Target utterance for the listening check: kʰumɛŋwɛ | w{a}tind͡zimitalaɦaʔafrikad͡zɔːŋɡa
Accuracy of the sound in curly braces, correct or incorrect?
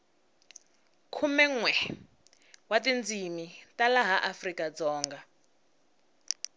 correct